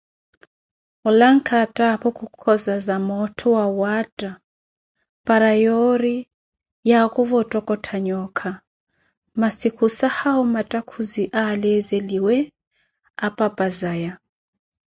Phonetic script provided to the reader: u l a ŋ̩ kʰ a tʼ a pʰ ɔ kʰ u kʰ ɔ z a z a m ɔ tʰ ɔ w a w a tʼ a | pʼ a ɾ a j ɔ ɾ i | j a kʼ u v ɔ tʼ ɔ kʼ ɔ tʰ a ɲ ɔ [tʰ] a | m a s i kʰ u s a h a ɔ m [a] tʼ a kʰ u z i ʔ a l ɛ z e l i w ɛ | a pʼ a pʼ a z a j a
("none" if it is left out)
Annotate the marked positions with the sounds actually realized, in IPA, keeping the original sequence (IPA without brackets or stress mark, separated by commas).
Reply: kʰ, a